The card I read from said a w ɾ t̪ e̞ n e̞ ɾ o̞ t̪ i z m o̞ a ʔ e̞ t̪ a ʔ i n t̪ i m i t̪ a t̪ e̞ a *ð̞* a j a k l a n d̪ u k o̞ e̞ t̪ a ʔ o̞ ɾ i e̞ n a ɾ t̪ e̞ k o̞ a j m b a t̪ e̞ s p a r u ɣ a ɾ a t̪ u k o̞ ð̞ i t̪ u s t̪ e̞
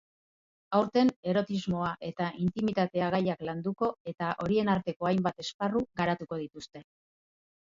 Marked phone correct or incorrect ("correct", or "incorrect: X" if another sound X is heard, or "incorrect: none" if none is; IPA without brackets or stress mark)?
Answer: incorrect: ɣ̞